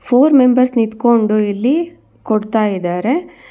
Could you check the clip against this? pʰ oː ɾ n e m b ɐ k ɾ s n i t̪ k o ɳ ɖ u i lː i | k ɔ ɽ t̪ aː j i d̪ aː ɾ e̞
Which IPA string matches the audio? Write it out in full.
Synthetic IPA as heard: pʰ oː ɾ m e m b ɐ ɾ s n i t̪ k o ɳ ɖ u i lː i | k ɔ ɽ t̪ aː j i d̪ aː ɾ e̞